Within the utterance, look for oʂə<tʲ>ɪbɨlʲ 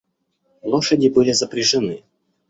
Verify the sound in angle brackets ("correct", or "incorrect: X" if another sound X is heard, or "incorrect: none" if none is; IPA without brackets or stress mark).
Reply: incorrect: dʲ